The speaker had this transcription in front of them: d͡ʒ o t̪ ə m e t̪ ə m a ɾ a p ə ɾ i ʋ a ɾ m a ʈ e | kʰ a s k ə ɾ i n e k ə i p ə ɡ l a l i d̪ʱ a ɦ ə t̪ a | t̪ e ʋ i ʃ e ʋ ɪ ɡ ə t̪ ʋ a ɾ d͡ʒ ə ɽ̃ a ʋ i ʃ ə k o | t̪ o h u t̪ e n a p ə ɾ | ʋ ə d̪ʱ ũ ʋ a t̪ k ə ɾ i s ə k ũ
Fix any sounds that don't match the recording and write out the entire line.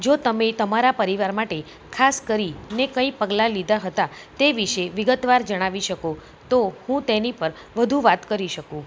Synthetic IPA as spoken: d͡ʒ o t̪ ə m e t̪ ə m a ɾ a p ə ɾ i ʋ a ɾ m a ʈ e | kʰ a s k ə ɾ i n e k ə i p ə ɡ l a l i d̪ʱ a ɦ ə t̪ a | t̪ e ʋ i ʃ e ʋ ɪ ɡ ə t̪ ʋ a ɾ d͡ʒ ə ɽ̃ a ʋ i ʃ ə k o | t̪ o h ũ t̪ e n i p ə ɾ | ʋ ə d̪ʱ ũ ʋ a t̪ k ə ɾ i ʃ ə k ũ